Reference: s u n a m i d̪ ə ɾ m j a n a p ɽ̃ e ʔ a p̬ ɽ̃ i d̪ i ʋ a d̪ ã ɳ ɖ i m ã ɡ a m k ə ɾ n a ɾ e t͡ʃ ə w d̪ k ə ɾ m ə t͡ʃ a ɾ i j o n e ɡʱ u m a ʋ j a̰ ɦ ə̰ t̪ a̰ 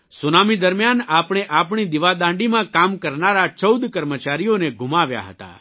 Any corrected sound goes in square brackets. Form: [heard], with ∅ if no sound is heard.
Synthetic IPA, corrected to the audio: s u n a m i d̪ ə ɾ m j a n a p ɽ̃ e ʔ a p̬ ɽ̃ i d̪ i ʋ a d̪ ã ɳ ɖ i m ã [k] a m k ə ɾ n a ɾ [a] t͡ʃ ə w d̪ k ə ɾ m ə t͡ʃ a ɾ i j o n e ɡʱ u m a ʋ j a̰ ɦ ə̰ t̪ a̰